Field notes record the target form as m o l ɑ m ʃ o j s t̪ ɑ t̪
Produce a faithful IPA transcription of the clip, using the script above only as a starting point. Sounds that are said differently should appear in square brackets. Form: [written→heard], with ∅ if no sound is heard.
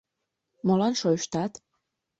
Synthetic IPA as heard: m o l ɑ [m→n] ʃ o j [s→ʃ] t̪ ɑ t̪